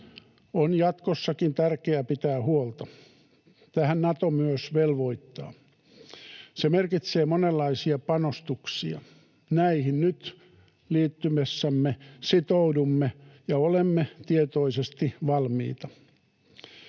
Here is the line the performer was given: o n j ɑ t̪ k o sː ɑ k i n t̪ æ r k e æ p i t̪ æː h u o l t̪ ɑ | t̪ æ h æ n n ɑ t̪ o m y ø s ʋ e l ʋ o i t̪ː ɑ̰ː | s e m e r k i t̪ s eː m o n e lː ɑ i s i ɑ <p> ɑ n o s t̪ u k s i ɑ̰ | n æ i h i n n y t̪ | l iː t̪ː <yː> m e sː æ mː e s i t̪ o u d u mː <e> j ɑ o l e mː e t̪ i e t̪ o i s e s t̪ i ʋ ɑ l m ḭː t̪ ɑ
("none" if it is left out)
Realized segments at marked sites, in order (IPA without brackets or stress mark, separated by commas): p, y, e